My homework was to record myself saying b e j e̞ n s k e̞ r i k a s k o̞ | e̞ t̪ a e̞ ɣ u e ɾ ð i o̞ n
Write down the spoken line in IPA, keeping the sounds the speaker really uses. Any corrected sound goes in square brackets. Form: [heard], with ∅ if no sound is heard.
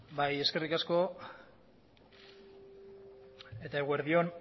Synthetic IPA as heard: b [a] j e̞ [∅] s k e̞ r i k a s k o̞ | e̞ t̪ a e̞ ɣ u e ɾ ð i o̞ n